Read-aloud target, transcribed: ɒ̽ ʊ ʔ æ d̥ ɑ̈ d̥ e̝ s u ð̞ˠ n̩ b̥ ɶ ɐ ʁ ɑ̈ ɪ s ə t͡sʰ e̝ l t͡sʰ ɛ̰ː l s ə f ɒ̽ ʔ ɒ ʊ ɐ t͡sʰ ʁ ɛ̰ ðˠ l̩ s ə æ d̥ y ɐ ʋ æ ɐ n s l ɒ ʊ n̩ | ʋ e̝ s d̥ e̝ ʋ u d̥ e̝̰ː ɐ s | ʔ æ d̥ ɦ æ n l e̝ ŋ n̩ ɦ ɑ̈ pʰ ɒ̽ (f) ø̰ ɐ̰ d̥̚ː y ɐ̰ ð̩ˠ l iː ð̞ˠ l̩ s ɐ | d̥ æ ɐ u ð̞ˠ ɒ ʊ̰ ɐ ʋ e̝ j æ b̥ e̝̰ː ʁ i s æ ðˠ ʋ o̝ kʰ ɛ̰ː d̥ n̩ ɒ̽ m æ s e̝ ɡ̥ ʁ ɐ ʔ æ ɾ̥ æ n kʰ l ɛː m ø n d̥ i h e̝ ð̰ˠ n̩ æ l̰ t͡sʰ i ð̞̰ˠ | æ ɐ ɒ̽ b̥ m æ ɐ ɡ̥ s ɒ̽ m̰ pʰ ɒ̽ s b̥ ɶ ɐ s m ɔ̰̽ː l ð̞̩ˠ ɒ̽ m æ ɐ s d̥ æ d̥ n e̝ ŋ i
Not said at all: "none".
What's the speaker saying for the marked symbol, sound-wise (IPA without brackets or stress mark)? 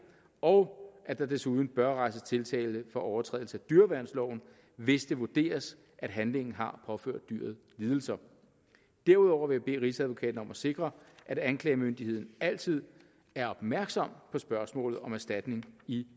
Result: f